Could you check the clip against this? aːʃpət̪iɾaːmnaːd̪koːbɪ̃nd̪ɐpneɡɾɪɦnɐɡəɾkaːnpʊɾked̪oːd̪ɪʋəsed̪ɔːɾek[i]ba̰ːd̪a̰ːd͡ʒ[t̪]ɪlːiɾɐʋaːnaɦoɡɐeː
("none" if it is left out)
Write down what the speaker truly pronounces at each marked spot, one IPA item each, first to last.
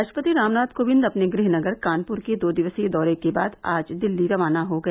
e, d̪

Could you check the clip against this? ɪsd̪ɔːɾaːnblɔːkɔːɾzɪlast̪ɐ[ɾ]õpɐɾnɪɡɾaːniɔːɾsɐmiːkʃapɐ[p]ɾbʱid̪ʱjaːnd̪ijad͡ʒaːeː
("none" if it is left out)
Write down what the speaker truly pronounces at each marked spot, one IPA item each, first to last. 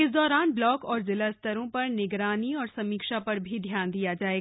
ɾ, none

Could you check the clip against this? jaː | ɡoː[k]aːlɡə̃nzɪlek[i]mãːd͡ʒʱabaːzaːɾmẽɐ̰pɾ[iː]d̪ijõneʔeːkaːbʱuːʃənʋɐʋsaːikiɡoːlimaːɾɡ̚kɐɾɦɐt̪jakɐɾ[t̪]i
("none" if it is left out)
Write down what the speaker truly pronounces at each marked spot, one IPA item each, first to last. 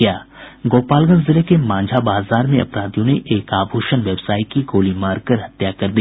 p, e, aː, d̪

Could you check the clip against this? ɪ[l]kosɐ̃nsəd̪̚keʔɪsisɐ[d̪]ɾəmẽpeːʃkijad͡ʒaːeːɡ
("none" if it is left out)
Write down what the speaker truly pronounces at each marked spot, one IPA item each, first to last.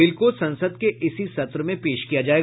l, t̪

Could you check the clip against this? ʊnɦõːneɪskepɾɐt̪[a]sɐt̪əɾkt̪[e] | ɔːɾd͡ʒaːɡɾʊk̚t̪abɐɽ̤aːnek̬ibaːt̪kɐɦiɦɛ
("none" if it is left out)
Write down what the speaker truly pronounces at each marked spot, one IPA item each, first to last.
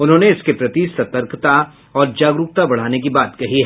i, a

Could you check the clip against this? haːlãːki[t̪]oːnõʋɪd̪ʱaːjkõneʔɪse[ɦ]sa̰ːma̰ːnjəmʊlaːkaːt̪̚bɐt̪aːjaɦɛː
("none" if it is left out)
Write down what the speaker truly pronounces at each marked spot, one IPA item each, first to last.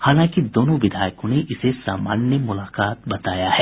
d̪, none

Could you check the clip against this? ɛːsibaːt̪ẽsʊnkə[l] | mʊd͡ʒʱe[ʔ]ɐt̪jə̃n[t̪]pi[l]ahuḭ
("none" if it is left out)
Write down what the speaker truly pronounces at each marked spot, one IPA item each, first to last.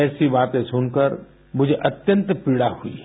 ɾ, ʔ, t̪, ɽ

